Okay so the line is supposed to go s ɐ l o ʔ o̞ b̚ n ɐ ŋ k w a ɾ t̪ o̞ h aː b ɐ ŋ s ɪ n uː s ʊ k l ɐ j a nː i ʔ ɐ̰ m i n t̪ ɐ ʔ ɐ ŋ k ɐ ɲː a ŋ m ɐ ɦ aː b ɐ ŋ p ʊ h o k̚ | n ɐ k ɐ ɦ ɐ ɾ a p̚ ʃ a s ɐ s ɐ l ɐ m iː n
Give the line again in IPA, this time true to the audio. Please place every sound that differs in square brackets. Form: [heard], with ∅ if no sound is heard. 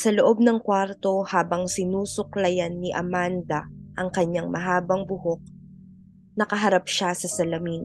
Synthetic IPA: s ɐ l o ʔ o̞ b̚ n ɐ ŋ k w a ɾ t̪ o̞ h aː b ɐ ŋ s ɪ n uː s ʊ k l ɐ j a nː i ʔ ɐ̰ m [a] n [d̪] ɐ ʔ ɐ ŋ k ɐ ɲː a ŋ m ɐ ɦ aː b ɐ ŋ [b] ʊ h o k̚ | n ɐ k ɐ ɦ ɐ ɾ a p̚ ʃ a s ɐ s ɐ l ɐ m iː n